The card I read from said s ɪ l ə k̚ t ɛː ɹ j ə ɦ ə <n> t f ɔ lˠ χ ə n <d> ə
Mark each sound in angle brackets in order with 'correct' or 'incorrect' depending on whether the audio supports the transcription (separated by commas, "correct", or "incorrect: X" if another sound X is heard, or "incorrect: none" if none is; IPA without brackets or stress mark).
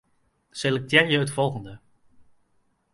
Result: incorrect: none, correct